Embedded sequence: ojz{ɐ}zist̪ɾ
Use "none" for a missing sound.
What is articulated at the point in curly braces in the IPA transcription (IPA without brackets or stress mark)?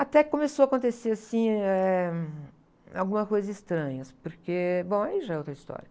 ɐ